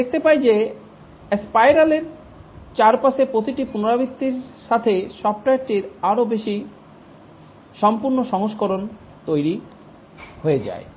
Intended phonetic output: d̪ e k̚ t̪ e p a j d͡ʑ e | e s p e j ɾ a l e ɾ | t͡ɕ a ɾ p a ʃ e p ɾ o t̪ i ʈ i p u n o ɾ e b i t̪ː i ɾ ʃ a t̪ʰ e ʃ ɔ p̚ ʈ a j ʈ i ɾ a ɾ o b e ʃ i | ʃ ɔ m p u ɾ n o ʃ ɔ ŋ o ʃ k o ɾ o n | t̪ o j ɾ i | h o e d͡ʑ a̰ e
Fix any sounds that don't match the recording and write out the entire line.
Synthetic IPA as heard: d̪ e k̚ t̪ e p a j d͡ʑ e | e s p a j ɾ a l e ɾ | t͡ɕ a ɾ p a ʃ e p ɾ o t̪ i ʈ i p u n o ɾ a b i t̪ː i ɾ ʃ a t̪ʰ e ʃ ɔ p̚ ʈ a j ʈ i ɾ a ɾ o b e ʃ i | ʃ ɔ m p u ɾ n o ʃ ɔ ŋ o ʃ k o ɾ o n | t̪ o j ɾ i | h o e d͡ʑ a̰ e